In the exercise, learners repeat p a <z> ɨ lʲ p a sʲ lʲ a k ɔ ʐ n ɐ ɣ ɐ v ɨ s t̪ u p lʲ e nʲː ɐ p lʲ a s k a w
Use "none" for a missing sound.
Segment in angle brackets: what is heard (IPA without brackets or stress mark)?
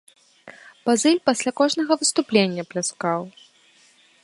z